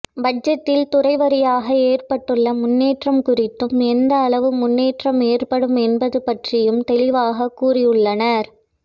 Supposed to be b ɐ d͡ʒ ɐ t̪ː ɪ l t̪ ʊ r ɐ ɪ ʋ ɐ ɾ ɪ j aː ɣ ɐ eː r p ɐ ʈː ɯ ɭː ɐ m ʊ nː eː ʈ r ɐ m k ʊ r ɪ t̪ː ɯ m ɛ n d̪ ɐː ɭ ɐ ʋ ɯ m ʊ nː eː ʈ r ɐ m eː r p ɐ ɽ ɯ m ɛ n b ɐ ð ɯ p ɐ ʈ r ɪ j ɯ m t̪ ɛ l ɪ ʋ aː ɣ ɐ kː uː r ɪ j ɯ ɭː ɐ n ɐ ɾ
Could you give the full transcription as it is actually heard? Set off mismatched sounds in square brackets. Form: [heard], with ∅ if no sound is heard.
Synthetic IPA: b ɐ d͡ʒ ɐ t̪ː ɪ l t̪ ʊ r ɐ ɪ ʋ ɐ ɾ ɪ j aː ɣ ɐ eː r p ɐ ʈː ɯ ɭː ɐ m ʊ nː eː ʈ r ɐ m k ʊ r ɪ t̪ː ɯ m ɛ n d̪ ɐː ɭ ɐ ʋ ɯ m ʊ nː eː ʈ r ɐ m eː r p ɐ ɽ ɯ m ɛ n b ɐ ð ɯ p ɐ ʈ r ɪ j ɯ m t̪ ɛ l ɪ ʋ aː ɣ ɐ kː uː r ɪ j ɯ ɭː ɐ n ɐ ɾ

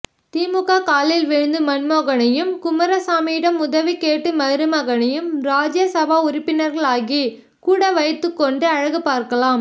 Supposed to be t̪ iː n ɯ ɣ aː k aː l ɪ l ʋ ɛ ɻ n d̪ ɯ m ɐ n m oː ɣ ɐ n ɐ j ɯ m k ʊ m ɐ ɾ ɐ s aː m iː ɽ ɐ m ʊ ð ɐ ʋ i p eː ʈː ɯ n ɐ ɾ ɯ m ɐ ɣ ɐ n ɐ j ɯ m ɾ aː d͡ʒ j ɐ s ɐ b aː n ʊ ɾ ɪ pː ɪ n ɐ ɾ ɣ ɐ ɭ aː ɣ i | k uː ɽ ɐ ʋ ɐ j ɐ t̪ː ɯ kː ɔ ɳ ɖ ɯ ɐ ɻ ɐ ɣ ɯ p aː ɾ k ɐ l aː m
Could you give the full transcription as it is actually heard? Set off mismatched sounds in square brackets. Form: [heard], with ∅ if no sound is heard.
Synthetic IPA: t̪ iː [m] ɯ ɣ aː k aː l ɪ l ʋ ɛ ɻ n d̪ ɯ m ɐ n m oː ɣ ɐ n ɐ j ɯ m k ʊ m ɐ ɾ ɐ s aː m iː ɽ ɐ m ʊ ð ɐ ʋ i [k] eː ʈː ɯ [m] ɐ ɾ ɯ m ɐ ɣ ɐ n ɐ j ɯ m ɾ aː d͡ʒ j ɐ s ɐ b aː [∅] ʊ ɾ ɪ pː ɪ n ɐ ɾ ɣ ɐ ɭ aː ɣ i | k uː ɽ ɐ ʋ ɐ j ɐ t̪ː ɯ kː ɔ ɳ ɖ ɯ ɐ ɻ ɐ ɣ ɯ p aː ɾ k ɐ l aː m

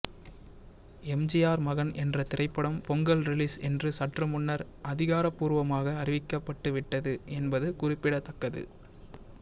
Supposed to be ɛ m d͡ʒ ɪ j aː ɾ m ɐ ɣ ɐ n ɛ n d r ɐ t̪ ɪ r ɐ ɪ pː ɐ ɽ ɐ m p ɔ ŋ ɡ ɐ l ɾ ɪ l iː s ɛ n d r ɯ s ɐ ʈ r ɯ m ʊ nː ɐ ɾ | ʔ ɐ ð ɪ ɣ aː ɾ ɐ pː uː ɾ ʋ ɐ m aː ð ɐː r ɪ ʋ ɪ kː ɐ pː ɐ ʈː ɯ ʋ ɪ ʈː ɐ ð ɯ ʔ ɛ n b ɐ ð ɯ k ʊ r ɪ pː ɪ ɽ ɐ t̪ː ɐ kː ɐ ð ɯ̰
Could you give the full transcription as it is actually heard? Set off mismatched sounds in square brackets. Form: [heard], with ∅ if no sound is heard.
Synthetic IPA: ɛ m d͡ʒ ɪ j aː ɾ m ɐ ɣ ɐ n ɛ n d r ɐ t̪ ɪ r ɐ ɪ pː ɐ ɽ ɐ m p ɔ ŋ ɡ ɐ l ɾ ɪ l iː s ɛ n d r ɯ s ɐ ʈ r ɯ m ʊ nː ɐ ɾ | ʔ ɐ ð ɪ ɣ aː ɾ ɐ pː uː ɾ ʋ ɐ m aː [ɣ] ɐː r ɪ ʋ ɪ kː ɐ pː ɐ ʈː ɯ ʋ ɪ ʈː ɐ ð ɯ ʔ ɛ n b ɐ ð ɯ k ʊ r ɪ pː ɪ ɽ ɐ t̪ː ɐ kː ɐ ð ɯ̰

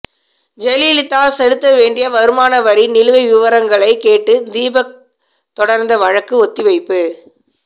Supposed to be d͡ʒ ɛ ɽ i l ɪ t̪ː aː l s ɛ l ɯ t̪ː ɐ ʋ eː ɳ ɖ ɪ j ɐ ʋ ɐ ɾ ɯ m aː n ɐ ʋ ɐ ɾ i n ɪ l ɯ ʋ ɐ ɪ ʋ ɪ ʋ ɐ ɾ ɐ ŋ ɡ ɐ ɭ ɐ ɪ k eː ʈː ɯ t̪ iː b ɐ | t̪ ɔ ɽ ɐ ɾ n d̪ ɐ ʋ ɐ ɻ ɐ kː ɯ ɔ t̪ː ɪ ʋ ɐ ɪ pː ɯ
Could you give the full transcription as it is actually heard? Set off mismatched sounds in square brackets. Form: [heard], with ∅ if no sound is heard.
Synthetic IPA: d͡ʒ ɛ [l] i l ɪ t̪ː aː l s ɛ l ɯ t̪ː ɐ ʋ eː ɳ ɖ ɪ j ɐ ʋ ɐ ɾ ɯ m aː n ɐ ʋ ɐ ɾ i n ɪ l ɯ ʋ ɐ ɪ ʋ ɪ ʋ ɐ ɾ ɐ ŋ ɡ ɐ ɭ ɐ ɪ k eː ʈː ɯ [d̪] iː b ɐ | t̪ ɔ ɽ ɐ ɾ n d̪ ɐ ʋ ɐ ɻ ɐ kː ɯ ɔ t̪ː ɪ ʋ ɐ ɪ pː ɯ

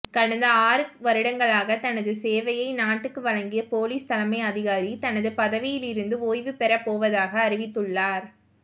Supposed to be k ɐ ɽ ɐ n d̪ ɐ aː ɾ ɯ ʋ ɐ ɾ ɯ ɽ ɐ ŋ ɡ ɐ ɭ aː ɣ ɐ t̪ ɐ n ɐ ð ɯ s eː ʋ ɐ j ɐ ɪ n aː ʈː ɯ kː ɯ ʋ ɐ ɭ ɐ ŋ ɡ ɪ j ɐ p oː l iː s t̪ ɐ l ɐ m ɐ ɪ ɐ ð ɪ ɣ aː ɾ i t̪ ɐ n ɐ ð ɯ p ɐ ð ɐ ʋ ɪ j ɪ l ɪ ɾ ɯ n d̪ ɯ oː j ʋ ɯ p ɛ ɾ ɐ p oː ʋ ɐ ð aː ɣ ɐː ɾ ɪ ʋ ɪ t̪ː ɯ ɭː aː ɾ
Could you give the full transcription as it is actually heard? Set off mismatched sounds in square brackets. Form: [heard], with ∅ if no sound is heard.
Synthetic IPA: k ɐ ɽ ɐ n d̪ ɐ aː ɾ ɯ ʋ ɐ ɾ ɯ ɽ ɐ ŋ ɡ ɐ ɭ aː ɣ ɐ t̪ ɐ n ɐ ð ɯ s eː ʋ ɐ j ɐ ɪ n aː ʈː ɯ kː ɯ ʋ ɐ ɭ ɐ ŋ ɡ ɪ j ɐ p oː l iː s t̪ ɐ l ɐ m ɐ ɪ ɐ ð ɪ ɣ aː ɾ i t̪ ɐ n ɐ ð ɯ p ɐ ð ɐ ʋ ɪ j ɪ l ɪ ɾ ɯ n d̪ ɯ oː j ʋ ɯ p ɛ ɾ ɐ p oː ʋ ɐ ð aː ɣ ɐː ɾ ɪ ʋ ɪ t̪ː ɯ ɭː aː ɾ

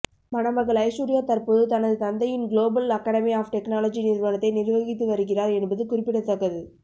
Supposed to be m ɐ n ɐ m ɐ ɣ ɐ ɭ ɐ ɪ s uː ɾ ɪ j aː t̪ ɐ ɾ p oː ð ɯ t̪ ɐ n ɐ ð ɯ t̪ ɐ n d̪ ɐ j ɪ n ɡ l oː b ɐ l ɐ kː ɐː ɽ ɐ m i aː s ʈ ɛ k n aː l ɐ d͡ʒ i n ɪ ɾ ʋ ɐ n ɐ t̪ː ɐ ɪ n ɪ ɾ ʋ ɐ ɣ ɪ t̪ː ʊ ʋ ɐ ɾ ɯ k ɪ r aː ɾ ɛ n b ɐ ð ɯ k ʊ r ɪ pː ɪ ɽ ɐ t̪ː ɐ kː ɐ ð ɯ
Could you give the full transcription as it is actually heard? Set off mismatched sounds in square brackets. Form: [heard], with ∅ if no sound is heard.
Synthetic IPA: m ɐ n ɐ m ɐ ɣ ɐ ɭ ɐ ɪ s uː ɾ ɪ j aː t̪ ɐ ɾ p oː ð ɯ t̪ ɐ n ɐ ð ɯ t̪ ɐ n d̪ ɐ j ɪ n ɡ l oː b ɐ l ɐ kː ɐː ɽ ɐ m i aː [f] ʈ ɛ k n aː l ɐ d͡ʒ i n ɪ ɾ ʋ ɐ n ɐ t̪ː ɐ ɪ n ɪ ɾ ʋ ɐ ɣ ɪ t̪ː [ɯ] ʋ ɐ ɾ ɯ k ɪ r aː ɾ ɛ n b ɐ ð ɯ k ʊ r ɪ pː ɪ ɽ ɐ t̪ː ɐ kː ɐ ð ɯ

